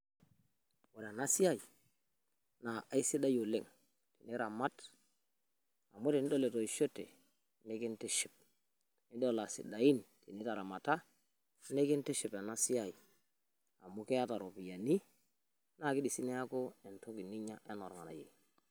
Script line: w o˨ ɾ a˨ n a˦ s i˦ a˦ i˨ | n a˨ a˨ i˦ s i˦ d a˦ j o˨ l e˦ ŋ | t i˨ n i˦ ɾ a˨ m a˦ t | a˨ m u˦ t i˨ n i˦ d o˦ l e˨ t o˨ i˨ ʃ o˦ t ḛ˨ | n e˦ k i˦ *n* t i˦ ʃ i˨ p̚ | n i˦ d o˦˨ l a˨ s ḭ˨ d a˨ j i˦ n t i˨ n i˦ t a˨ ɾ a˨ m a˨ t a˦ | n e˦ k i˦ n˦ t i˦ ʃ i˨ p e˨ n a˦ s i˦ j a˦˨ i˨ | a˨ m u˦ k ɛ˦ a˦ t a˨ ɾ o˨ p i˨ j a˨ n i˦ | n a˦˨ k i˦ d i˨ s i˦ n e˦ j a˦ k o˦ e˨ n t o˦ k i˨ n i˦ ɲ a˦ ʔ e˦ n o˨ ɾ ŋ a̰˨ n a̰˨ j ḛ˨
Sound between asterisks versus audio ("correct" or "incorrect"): correct